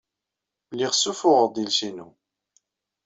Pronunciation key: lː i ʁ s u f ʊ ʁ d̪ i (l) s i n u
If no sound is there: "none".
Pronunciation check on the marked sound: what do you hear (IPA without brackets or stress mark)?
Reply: l